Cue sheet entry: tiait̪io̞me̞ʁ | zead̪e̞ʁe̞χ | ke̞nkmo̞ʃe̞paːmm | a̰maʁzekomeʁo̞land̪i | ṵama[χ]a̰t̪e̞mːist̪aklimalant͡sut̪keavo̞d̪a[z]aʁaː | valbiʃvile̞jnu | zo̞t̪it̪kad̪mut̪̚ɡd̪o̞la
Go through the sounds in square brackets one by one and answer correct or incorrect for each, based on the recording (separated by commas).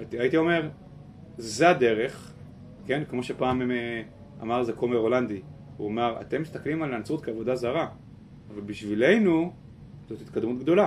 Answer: incorrect, correct